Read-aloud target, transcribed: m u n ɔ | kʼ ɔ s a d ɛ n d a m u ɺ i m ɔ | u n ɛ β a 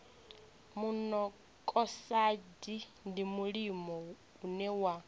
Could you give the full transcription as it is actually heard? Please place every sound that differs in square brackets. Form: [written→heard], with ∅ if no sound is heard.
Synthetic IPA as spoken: m u n ɔ | kʼ ɔ s a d [ɛ→i] n d [a→i] m u ɺ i m ɔ | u n ɛ [β→w] a